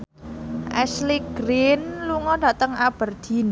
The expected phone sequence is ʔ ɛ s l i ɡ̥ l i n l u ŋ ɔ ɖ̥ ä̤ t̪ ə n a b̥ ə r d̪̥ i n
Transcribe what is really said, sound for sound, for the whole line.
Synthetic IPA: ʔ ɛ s l i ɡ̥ ɾ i n l u ŋ ɔ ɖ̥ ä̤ t̪ ə ŋ a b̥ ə r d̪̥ i n